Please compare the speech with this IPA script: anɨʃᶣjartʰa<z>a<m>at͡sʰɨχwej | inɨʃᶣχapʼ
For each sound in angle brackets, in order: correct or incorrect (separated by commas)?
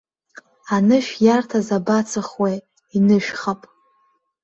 correct, incorrect